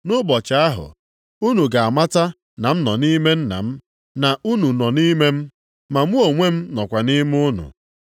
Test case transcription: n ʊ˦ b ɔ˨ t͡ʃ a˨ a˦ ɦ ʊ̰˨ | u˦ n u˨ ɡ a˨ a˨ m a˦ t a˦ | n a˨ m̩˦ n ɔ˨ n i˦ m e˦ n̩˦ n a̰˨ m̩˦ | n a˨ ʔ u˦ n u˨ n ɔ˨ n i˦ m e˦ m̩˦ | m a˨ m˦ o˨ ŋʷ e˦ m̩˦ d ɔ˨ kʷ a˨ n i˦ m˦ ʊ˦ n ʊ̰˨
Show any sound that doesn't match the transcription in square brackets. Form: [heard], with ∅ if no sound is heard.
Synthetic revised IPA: n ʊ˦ b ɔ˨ t͡ʃ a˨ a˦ ɦ ʊ̰˨ | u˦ n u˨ ɡ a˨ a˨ m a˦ t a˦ | n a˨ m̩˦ n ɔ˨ n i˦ m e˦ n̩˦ n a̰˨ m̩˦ | n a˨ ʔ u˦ n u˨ n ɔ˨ n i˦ m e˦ m̩˦ | m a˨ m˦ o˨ ŋʷ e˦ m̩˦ [n] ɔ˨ kʷ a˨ n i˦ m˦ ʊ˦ n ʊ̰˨

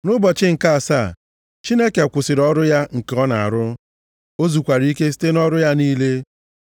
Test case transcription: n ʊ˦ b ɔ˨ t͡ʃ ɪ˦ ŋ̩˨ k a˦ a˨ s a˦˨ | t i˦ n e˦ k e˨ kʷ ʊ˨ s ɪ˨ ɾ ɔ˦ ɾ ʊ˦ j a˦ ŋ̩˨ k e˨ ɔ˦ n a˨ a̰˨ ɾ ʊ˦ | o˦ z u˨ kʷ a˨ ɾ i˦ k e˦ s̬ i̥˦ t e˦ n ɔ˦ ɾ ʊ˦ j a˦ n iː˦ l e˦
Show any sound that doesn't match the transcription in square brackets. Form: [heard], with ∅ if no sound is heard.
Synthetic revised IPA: n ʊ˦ b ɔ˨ t͡ʃ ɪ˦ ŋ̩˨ k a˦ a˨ s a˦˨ | [t͡ʃ] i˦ n e˦ k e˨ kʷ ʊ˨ s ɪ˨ ɾ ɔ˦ ɾ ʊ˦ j a˦ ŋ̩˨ k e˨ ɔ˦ n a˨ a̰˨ ɾ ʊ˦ | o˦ z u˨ kʷ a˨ ɾ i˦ k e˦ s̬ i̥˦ t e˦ n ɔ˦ ɾ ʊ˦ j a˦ n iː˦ l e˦

